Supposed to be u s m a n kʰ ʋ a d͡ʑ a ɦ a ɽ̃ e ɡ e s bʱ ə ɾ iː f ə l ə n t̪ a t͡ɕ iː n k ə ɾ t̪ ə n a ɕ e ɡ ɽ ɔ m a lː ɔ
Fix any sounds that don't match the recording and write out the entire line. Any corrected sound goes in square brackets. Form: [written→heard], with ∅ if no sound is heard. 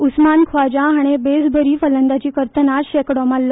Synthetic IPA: u s m a n kʰ ʋ a d͡ʑ a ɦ a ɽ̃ e [ɡ→b] e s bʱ ə ɾ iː f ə l ə n [t̪→d̪] a t͡ɕ iː [n→∅] k ə ɾ t̪ ə n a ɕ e [ɡ→k] ɽ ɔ m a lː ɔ